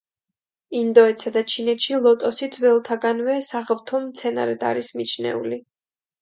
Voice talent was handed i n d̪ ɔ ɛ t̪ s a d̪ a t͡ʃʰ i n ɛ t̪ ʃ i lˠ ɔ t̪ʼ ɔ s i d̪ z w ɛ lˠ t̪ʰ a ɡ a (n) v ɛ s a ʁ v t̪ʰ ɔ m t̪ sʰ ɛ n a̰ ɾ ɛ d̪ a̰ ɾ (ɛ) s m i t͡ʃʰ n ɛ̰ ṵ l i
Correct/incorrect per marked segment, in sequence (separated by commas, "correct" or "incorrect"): correct, incorrect